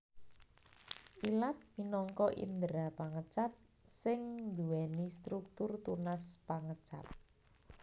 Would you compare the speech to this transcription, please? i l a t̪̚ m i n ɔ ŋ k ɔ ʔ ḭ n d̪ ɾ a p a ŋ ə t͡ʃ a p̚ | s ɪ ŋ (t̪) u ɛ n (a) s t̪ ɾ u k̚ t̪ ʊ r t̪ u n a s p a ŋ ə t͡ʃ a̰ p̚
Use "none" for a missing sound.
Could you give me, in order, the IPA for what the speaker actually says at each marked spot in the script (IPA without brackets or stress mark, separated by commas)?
d̪, i